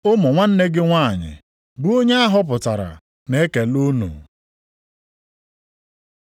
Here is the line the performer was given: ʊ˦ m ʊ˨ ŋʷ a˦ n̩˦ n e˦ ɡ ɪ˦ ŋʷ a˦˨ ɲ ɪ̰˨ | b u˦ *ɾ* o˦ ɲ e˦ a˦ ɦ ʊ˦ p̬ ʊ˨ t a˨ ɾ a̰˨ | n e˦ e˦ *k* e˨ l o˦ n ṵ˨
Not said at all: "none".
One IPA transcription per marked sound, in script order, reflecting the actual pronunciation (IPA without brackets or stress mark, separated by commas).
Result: none, k